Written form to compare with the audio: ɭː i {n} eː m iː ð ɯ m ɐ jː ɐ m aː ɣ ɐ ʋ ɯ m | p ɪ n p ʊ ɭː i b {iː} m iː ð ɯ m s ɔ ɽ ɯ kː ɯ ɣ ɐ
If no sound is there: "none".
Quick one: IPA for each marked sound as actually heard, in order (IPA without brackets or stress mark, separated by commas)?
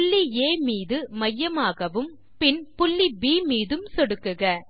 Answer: none, iː